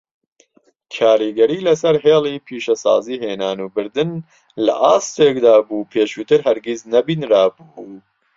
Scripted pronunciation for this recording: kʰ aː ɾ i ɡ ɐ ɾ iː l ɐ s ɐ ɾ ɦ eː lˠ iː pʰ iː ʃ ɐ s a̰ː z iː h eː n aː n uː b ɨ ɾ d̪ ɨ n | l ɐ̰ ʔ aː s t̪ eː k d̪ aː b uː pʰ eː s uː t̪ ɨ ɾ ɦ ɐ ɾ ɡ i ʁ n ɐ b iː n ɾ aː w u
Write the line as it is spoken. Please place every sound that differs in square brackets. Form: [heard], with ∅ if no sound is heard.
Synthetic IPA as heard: kʰ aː ɾ i ɡ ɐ ɾ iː l ɐ s ɐ ɾ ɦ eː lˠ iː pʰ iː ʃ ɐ s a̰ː z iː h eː n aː n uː b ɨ ɾ d̪ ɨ n | l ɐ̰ ʔ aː s t̪ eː k d̪ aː b uː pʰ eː [ʃ] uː t̪ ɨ ɾ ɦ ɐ ɾ ɡ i [z] n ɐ b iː n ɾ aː [b] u